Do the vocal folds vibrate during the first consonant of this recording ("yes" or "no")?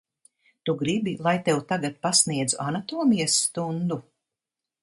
no